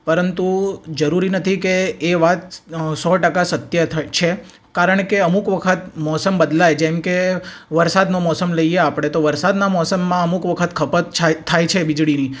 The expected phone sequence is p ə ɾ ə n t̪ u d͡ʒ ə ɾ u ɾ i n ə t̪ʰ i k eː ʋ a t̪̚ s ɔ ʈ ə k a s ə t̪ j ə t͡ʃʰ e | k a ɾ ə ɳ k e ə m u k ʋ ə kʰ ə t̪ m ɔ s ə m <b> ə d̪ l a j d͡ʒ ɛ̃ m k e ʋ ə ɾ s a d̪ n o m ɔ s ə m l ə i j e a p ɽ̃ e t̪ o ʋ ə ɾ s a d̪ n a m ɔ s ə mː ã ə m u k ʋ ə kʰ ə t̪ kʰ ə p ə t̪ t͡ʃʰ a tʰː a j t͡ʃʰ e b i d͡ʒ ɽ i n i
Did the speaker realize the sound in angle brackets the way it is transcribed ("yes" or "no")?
yes